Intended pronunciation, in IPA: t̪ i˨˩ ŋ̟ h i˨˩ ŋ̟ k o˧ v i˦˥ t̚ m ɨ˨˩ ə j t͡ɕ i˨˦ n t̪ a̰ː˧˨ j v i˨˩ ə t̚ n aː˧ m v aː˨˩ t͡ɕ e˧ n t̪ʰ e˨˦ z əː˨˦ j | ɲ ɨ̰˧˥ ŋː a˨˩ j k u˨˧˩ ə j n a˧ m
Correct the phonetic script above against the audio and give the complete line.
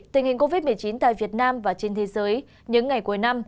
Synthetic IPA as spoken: t̪ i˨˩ ŋ̟ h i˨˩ ŋ̟ k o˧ v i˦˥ t̚ m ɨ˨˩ ə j t͡ɕ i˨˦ n t̪ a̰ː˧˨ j v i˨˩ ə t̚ n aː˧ m v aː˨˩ t͡ɕ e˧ n t̪ʰ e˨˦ z əː˨˦ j | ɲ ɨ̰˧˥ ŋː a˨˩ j k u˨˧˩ ə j n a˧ m

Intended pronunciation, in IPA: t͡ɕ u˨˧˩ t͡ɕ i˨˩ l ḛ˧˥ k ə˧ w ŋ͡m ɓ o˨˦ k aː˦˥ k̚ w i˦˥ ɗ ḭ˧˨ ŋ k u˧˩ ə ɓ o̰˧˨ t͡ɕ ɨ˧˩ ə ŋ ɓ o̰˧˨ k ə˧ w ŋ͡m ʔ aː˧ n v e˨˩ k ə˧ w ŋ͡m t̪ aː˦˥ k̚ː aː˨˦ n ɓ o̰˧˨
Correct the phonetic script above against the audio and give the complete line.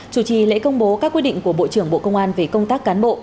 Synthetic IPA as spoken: t͡ɕ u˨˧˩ t͡ɕ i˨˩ l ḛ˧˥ k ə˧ w ŋ͡m ɓ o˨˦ k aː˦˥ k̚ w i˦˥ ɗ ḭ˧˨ ŋ k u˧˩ ə ɓ o̰˧˨ t͡ɕ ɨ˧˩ ə ŋ ɓ o̰˧˨ k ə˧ w ŋ͡m ʔ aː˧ n v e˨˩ k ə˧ w ŋ͡m t̪ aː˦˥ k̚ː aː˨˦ n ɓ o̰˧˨

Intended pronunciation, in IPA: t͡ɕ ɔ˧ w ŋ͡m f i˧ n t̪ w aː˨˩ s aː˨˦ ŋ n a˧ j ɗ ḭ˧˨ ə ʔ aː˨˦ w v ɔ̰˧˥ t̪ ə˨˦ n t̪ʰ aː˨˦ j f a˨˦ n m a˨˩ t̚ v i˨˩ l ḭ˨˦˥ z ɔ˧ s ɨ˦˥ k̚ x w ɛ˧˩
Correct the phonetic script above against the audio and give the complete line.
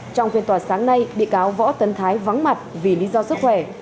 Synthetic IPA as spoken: t͡ɕ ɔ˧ w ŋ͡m f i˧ n t̪ w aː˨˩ s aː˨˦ ŋ n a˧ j ɗ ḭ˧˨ ə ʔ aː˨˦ w v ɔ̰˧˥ t̪ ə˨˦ n t̪ʰ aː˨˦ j v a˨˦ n m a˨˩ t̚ v i˨˩ l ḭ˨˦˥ z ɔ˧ s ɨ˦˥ k̚ x w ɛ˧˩

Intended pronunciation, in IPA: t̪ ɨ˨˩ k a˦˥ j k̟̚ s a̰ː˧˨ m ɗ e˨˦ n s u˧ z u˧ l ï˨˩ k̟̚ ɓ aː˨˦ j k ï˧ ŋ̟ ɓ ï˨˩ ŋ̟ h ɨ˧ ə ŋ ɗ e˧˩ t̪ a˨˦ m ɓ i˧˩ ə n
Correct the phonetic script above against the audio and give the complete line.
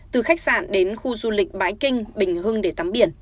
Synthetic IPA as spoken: t̪ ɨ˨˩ x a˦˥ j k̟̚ s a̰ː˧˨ n ɗ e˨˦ n x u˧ z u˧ l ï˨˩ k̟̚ ɓ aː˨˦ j k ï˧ ŋ̟ ɓ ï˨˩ ŋ̟ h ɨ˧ ə ŋ ɗ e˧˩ t̪ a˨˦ m ɓ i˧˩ ə n

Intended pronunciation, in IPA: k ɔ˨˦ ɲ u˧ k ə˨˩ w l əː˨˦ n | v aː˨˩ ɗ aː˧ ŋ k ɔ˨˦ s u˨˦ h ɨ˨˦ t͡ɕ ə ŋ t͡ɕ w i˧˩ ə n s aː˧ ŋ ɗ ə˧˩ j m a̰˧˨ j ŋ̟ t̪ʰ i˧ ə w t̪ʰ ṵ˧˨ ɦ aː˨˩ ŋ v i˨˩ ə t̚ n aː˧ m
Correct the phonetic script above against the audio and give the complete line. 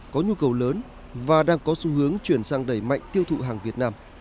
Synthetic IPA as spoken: k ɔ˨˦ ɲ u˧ k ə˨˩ w l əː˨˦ n | v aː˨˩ ɗ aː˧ ŋ k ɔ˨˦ s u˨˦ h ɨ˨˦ ə ŋ t͡ɕ w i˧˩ ə n s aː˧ ŋ ɗ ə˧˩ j m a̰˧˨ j ŋ̟ t̪ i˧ ə w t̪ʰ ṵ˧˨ ɦ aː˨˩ ŋ v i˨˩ ə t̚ n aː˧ m

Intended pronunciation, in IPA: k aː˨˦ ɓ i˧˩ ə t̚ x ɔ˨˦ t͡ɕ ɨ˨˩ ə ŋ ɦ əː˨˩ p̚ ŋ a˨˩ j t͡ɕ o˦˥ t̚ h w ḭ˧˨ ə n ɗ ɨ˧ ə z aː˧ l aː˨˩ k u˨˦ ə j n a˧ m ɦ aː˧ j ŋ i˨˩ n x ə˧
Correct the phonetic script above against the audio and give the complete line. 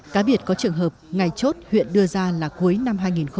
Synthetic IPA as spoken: k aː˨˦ ɓ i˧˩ ə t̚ k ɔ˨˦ t͡ɕ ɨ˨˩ ə ŋ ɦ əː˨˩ p̚ ŋ a˨˩ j t͡ɕ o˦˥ t̚ h w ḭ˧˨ ə n ɗ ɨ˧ ə z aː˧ l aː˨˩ k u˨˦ ə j n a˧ m ɦ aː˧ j ŋ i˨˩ n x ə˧

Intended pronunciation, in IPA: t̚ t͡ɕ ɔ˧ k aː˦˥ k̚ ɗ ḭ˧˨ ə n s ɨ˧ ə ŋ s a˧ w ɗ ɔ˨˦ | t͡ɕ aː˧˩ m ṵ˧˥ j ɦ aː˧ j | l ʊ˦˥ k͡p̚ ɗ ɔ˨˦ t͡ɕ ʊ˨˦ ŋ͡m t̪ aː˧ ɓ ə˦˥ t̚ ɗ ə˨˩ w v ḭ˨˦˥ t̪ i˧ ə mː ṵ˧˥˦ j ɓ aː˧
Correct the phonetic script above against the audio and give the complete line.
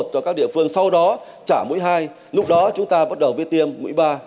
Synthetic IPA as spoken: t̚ t͡ɕ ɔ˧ k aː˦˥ k̚ ɗ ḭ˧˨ ə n f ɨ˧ ə ŋ s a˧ w ɗ ɔ˨˦ | t͡ɕ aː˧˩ m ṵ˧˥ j ɦ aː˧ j | l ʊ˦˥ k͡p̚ ɗ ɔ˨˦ t͡ɕ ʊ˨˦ ŋ͡m t̪ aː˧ ɓ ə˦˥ t̚ ɗ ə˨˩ w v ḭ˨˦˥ t̪ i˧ ə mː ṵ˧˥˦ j ɓ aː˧

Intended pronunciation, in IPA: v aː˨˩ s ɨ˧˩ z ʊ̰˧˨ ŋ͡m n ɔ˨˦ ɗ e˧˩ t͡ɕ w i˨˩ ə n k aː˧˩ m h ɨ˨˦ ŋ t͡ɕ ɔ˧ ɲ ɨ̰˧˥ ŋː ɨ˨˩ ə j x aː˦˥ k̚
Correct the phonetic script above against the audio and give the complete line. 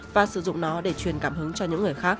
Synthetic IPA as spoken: v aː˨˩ s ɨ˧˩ z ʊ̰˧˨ ŋ͡m n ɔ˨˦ ɗ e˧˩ t͡ɕ w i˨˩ ə n k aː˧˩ m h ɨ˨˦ ŋ t͡ɕ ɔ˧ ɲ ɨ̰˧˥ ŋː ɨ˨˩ ə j x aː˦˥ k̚

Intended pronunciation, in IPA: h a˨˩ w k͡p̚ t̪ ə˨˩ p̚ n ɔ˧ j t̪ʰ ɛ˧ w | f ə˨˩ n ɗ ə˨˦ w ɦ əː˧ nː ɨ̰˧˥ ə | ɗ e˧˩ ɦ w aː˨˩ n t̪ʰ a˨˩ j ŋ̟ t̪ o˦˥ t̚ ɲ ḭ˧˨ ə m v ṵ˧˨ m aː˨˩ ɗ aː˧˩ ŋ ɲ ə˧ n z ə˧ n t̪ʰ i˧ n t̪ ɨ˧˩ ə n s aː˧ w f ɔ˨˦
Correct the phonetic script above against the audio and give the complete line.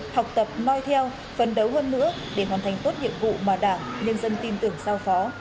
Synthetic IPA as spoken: h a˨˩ w k͡p̚ t̪ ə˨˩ p̚ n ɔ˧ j t̪ʰ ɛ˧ w | f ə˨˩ n ɗ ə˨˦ w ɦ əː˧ nː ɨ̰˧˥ ə | ɗ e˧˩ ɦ w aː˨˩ n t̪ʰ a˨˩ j ŋ̟ t̪ o˦˥ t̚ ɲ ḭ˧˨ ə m v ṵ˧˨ m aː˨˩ ɗ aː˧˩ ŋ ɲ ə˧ n z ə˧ n t̪ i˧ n t̪ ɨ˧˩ ə ŋ s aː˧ w f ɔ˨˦

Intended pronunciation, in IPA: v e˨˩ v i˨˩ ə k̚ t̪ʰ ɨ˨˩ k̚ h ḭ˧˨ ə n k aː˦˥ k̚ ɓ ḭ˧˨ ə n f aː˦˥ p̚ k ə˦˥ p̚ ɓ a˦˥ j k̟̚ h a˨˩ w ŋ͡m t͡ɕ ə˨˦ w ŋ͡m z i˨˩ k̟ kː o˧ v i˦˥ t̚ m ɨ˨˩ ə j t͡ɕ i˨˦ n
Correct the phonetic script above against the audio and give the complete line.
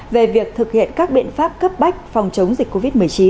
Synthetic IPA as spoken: v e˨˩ v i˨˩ ə k̚ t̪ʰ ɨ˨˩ k̚ h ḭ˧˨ ə n k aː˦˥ k̚ ɓ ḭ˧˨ ə n f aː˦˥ p̚ k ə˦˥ p̚ ɓ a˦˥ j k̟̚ f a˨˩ w ŋ͡m t͡ɕ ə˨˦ w ŋ͡m z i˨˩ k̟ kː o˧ v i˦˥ t̚ m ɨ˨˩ ə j t͡ɕ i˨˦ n

